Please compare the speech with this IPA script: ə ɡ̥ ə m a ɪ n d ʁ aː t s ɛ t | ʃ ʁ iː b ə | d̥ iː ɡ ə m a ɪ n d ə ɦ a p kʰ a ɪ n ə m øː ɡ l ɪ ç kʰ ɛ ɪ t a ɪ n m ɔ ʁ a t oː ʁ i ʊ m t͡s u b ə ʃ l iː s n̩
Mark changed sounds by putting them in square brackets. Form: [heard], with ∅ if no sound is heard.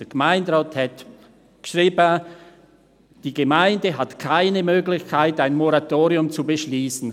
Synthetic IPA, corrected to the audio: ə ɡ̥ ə m a ɪ n d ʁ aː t [h] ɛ t | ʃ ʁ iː b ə | d̥ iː ɡ ə m a ɪ n d ə ɦ a [t] kʰ a ɪ n ə m øː ɡ l ɪ ç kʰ [a] ɪ t a ɪ n m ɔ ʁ a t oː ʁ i ʊ m t͡s u b ə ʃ l iː s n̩